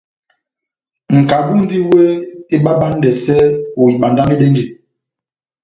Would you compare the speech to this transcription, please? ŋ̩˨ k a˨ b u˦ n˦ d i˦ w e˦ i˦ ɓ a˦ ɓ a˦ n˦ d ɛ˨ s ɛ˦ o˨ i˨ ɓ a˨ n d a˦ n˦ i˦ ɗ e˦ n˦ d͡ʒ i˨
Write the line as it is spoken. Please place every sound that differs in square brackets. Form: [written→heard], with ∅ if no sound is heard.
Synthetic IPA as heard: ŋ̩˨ k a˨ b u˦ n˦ d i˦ w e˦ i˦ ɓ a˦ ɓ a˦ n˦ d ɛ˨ s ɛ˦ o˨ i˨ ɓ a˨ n d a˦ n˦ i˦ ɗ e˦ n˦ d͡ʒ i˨